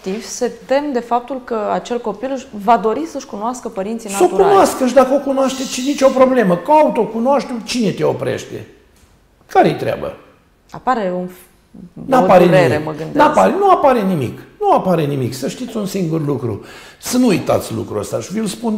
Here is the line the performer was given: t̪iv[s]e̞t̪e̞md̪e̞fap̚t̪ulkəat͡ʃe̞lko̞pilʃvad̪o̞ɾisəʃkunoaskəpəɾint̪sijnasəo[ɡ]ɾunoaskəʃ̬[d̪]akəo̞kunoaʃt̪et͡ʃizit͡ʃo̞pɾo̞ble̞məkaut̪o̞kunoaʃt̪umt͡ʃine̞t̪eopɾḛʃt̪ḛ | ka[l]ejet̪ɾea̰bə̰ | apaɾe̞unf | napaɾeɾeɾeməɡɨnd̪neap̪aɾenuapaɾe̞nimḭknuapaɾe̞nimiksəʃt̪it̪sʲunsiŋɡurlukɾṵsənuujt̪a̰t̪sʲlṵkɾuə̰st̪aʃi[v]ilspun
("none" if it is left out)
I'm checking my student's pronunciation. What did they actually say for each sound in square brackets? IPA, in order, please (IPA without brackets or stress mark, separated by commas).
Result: s, k, d̪, ɾ, v